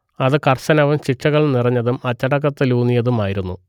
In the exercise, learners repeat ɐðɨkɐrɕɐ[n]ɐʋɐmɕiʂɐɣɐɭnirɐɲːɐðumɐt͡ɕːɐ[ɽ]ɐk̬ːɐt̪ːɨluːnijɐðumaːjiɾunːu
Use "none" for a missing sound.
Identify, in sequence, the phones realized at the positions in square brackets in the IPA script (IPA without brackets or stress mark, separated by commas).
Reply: n, ɽ